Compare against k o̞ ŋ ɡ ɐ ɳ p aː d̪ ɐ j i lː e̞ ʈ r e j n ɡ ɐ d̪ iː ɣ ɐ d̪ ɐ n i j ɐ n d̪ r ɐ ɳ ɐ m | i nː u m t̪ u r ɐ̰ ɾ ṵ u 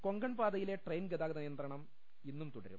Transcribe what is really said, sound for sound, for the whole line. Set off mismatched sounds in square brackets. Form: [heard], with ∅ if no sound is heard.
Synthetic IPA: k o̞ ŋ ɡ ɐ ɳ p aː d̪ ɐ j i [l] e̞ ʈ r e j n ɡ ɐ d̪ [aː] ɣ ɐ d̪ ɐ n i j ɐ n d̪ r ɐ ɳ ɐ m | i nː u m t̪ u [ɽ] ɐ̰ ɾ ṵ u